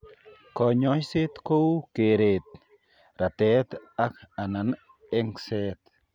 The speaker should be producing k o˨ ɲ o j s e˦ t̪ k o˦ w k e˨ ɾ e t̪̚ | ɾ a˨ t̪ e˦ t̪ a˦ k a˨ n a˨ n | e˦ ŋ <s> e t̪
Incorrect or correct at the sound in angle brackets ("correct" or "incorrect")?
correct